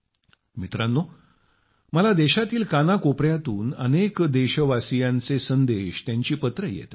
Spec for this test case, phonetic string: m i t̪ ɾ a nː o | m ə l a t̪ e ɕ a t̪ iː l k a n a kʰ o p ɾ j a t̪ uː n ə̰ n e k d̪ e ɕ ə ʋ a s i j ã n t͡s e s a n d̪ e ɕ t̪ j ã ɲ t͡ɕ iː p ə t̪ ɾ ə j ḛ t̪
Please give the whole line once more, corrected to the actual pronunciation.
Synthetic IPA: m i t̪ ɾ a nː o | m ə l a d̪ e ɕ a t̪ iː l k a n a k o p ɾ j a t̪ uː n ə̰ n e k d̪ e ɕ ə ʋ a s i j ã n t͡s e s ə n d̪ e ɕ t̪ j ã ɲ t͡ɕ iː p ə t̪ ɾ ə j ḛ t̪